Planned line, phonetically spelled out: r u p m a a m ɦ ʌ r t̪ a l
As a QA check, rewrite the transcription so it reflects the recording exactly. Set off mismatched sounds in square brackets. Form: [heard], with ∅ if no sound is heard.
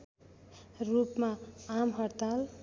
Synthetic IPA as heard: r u p m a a m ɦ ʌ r t̪ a l

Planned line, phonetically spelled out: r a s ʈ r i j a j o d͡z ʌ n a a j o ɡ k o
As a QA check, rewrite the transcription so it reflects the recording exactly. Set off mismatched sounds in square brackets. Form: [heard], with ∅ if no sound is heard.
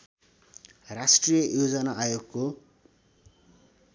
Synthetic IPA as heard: r a s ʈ r i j [ʌ] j o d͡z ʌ n a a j o ɡ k o

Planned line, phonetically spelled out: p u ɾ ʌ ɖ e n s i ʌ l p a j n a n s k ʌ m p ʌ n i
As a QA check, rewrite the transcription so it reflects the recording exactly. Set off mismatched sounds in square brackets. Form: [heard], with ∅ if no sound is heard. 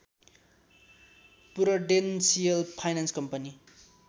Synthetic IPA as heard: p u ɾ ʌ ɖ e n s i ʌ l [pʰ] a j n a n s k ʌ m p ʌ n i

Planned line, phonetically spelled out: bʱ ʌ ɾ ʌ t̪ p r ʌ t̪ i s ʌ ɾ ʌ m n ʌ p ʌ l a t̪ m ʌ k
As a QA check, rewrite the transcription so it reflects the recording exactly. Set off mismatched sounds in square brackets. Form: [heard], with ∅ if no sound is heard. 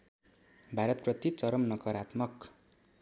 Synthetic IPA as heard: bʱ [a] ɾ ʌ t̪ p r ʌ t̪ i [t͡s] ʌ ɾ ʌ m n ʌ [k] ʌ [ɾ] a t̪ m ʌ k

